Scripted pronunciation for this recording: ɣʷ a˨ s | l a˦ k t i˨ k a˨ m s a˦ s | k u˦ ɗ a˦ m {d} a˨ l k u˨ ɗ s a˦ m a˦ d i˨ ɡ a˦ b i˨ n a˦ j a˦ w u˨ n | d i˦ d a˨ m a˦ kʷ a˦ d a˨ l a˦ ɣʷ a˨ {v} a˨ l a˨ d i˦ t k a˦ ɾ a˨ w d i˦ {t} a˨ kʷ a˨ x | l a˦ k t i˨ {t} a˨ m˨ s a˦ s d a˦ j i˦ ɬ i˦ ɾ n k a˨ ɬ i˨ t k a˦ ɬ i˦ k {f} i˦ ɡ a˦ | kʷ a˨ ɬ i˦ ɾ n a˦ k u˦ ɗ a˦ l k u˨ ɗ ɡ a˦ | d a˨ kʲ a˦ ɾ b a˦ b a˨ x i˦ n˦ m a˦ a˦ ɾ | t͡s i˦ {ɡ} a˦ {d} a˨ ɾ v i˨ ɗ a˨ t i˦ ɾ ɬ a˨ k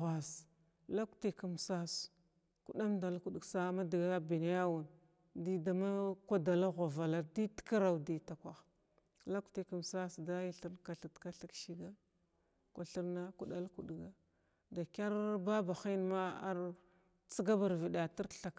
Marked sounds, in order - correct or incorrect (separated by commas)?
correct, correct, correct, incorrect, incorrect, correct, incorrect